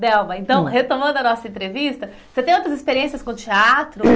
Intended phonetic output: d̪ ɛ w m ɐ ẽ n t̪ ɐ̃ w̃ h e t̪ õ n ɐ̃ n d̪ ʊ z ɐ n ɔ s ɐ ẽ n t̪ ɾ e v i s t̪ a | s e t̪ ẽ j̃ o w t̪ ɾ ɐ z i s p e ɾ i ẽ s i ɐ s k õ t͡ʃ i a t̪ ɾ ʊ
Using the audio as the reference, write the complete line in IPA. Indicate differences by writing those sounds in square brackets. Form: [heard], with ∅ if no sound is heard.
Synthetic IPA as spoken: d̪ ɛ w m ɐ ẽ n t̪ ɐ̃ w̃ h e t̪ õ [m] ɐ̃ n d̪ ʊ [∅] ɐ n ɔ s ɐ ẽ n t̪ ɾ e v i s t̪ [ɐ] | s e t̪ ẽ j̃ o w t̪ ɾ ɐ z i s p e ɾ i ẽ s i ɐ s k õ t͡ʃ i a t̪ ɾ ʊ

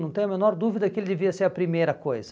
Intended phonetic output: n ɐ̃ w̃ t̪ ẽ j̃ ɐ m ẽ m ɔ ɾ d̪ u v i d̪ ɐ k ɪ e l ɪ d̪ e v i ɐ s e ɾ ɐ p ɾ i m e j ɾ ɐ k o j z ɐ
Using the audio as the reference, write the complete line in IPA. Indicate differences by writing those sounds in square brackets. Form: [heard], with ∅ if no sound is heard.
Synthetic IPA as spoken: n ɐ̃ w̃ t̪ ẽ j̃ ɐ m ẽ [n] ɔ ɾ d̪ u v i d̪ ɐ k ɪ e l ɪ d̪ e v i ɐ s e ɾ ɐ p ɾ i m e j ɾ ɐ k o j z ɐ

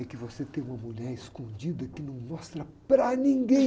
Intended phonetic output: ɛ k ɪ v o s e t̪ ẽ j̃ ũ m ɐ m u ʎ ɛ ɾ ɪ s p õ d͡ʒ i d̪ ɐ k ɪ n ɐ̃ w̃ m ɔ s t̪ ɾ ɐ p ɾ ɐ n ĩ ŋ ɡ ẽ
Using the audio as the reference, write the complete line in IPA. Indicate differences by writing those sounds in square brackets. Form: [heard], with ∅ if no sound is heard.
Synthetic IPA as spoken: ɛ k ɪ v o s e t̪ ẽ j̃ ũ m ɐ m u ʎ ɛ ɾ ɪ s [k] õ d͡ʒ i d̪ ɐ k ɪ n ɐ̃ w̃ m ɔ s t̪ ɾ ɐ p ɾ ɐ n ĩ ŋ ɡ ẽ

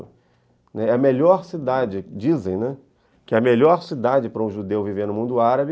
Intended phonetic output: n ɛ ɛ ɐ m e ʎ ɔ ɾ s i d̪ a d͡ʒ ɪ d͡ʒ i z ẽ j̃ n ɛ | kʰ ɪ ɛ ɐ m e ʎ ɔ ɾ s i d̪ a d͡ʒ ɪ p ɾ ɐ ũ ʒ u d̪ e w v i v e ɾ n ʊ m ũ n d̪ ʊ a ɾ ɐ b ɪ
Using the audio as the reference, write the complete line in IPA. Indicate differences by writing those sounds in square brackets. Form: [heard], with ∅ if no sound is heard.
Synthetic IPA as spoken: n ɛ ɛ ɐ m e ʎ ɔ ɾ s i d̪ a d͡ʒ ɪ d͡ʒ i z ẽ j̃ n ɛ | [k] ɪ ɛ ɐ m e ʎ ɔ ɾ s i d̪ a d͡ʒ ɪ p ɾ ɐ ũ ʒ u d̪ e w v i v e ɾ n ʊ m ũ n d̪ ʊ a ɾ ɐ b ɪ

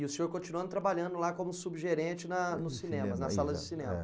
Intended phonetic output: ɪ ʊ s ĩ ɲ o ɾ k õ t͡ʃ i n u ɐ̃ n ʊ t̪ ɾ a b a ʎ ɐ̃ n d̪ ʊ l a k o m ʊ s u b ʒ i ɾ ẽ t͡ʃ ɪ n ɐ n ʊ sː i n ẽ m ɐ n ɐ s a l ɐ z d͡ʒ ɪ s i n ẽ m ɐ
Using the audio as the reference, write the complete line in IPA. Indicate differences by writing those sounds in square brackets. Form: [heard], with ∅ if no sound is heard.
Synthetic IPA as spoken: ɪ ʊ s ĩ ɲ o ɾ k õ t͡ʃ i n u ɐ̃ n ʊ t̪ ɾ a b a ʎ ɐ̃ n d̪ ʊ l a k [õ] m ʊ s u b ʒ [e] ɾ ẽ t͡ʃ ɪ n ɐ n ʊ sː i n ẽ m ɐ n ɐ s a l ɐ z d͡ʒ ɪ s i n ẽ m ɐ

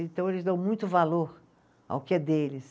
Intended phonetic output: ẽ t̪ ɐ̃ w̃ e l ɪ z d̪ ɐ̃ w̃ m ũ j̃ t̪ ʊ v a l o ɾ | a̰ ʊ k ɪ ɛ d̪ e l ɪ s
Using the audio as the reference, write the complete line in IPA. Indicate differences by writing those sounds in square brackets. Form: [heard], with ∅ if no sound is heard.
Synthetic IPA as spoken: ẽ t̪ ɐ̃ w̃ e l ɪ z d̪ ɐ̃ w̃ m ũ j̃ t̪ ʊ v a l o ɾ | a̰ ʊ k ɪ ɛ d̪ e l ɪ s

